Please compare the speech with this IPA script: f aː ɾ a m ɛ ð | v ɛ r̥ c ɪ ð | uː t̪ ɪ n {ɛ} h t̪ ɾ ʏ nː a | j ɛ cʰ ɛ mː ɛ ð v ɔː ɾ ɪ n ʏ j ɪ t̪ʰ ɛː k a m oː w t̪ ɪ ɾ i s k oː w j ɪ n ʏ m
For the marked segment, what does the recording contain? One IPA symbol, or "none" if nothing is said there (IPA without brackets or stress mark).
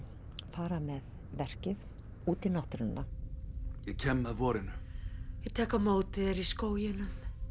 a